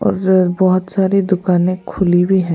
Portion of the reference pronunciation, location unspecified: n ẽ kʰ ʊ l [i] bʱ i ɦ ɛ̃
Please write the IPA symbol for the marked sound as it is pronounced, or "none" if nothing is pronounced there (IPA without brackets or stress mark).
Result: i